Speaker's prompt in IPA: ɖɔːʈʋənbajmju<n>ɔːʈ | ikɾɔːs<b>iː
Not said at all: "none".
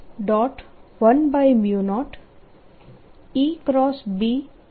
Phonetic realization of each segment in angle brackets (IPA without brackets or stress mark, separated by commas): n, b